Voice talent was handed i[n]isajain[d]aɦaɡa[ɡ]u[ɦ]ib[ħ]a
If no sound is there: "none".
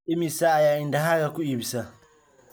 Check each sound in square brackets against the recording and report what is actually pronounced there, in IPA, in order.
m, d, k, none, s

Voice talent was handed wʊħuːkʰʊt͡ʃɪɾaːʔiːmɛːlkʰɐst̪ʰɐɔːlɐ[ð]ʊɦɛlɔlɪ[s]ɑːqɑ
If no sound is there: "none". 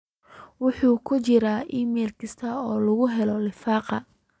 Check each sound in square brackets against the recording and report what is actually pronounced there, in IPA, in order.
ɣ, f

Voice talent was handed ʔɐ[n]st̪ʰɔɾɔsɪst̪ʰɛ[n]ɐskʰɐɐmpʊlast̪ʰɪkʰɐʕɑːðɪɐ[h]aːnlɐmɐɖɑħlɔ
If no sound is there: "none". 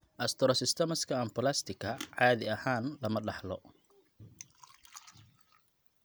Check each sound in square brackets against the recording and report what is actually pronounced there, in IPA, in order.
none, m, h

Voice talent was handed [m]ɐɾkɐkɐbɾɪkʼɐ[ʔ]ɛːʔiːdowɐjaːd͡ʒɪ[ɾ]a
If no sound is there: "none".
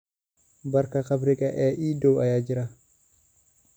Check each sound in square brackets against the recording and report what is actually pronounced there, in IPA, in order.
b, ʔ, ɾ

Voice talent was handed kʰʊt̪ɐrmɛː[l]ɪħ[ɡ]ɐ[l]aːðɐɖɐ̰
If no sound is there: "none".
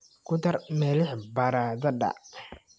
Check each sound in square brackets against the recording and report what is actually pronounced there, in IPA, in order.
l, b, ɾ

